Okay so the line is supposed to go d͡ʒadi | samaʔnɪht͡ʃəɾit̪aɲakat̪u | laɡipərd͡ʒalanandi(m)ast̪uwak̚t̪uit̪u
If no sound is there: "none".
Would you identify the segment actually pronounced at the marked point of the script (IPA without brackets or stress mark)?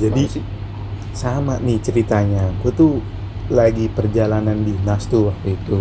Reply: n